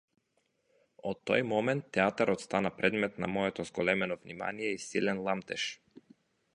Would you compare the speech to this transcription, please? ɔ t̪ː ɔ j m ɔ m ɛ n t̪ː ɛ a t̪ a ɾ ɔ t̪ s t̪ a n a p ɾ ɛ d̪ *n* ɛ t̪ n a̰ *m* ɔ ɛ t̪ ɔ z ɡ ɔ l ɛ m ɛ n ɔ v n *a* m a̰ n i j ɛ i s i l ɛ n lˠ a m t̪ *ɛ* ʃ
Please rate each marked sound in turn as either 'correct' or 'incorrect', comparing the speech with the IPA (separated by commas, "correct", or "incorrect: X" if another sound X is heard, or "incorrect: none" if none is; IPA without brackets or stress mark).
incorrect: m, correct, incorrect: i, correct